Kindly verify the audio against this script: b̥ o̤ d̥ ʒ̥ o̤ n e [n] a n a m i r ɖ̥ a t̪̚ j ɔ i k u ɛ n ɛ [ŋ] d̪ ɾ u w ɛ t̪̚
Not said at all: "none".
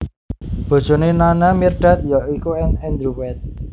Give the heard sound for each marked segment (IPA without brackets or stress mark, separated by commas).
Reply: n, n